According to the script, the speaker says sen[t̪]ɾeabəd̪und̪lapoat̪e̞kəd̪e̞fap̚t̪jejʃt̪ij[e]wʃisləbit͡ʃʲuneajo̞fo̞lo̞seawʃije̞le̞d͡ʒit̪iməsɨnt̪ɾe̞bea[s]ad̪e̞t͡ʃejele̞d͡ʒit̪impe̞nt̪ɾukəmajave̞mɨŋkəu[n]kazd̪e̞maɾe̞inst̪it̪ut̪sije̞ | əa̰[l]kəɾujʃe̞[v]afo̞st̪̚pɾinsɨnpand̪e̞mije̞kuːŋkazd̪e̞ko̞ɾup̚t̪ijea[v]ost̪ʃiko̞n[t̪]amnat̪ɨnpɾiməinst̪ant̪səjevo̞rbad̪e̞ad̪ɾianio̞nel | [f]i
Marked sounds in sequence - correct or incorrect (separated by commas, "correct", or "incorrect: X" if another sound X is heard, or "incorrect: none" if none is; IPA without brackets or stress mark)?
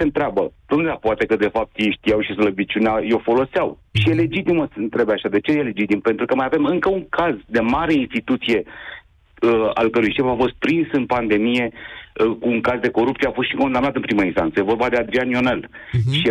correct, incorrect: a, incorrect: ʃ, incorrect: ŋ, correct, incorrect: f, incorrect: f, incorrect: d̪, incorrect: ʃ